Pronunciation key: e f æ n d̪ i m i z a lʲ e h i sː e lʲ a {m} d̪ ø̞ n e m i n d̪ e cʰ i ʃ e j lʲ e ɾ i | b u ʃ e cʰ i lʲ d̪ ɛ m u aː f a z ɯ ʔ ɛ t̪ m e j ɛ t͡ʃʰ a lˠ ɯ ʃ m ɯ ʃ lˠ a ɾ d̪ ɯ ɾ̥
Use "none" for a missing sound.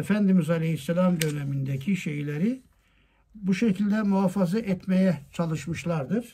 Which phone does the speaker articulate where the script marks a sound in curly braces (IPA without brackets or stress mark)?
m